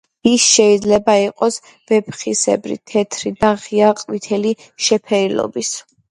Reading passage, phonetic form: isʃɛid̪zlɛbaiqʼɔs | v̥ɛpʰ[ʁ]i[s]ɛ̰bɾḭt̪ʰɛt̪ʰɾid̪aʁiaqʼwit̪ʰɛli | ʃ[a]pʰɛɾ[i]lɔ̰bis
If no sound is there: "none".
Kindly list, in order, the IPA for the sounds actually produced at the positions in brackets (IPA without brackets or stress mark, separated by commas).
χ, s, ɛ, i